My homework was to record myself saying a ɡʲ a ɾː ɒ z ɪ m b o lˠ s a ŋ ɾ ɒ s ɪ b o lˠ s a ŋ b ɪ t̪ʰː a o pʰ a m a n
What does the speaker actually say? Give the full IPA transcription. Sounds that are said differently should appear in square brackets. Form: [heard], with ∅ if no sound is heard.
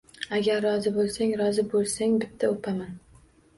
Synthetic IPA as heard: a ɡʲ a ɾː ɒ z ɪ [∅] b o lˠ s a ŋ ɾ ɒ [z] ɪ b o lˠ s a ŋ b ɪ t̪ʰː a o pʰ a m a n